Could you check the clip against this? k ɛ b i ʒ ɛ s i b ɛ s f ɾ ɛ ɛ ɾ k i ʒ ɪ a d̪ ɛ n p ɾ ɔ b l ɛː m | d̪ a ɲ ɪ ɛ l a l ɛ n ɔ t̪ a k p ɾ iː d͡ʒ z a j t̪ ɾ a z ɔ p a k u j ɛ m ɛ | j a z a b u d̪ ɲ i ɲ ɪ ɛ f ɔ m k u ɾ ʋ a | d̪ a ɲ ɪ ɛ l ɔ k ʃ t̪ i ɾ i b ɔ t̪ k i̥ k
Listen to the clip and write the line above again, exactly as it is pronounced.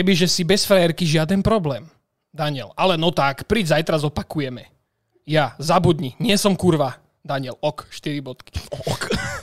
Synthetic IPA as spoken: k ɛ b i ʒ ɛ s i b ɛ s f ɾ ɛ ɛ ɾ k i ʒ ɪ a d̪ ɛ n p ɾ ɔ b l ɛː m | d̪ a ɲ ɪ ɛ l a l ɛ n ɔ t̪ a k p ɾ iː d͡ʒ z a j t̪ ɾ a z ɔ p a k u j ɛ m ɛ | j a z a b u d̪ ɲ i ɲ ɪ ɛ s ɔ m k u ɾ ʋ a | d̪ a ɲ ɪ ɛ l ɔ k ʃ t̪ i ɾ i b ɔ t̪ k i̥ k